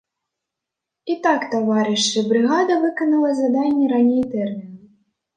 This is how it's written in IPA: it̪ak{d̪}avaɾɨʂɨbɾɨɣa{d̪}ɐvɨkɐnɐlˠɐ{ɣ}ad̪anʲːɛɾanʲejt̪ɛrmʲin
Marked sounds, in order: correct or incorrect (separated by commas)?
incorrect, correct, incorrect